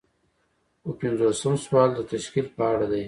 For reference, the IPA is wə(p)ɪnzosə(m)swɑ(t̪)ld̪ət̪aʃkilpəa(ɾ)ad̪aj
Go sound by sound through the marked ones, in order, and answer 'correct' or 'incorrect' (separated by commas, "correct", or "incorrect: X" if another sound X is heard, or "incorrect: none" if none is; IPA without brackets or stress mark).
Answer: correct, correct, incorrect: none, incorrect: ɽ